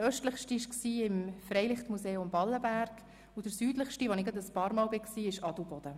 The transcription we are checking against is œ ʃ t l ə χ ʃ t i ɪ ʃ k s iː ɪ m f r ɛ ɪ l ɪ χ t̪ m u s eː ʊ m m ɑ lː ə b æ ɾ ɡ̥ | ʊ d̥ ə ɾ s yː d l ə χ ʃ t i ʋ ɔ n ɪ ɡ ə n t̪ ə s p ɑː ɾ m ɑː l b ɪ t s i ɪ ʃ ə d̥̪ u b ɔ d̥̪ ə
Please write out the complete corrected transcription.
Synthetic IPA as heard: œ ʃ t l ə χ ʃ t i ɪ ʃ k s iː ɪ m f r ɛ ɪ l ɪ χ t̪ m u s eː ʊ m b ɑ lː ə b æ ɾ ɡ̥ | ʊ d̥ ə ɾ s yː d l ə χ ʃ t i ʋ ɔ n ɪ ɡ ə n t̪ ə s p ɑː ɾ m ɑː l b ɪ k s iː ɪ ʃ ɑ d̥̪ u b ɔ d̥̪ ə